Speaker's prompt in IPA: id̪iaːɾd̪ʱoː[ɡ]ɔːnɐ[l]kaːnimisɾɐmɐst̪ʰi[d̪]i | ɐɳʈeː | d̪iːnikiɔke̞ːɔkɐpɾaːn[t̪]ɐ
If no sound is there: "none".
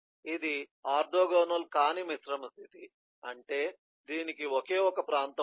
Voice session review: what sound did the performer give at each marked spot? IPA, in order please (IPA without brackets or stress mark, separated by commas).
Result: ɡ, l, t̪, t̪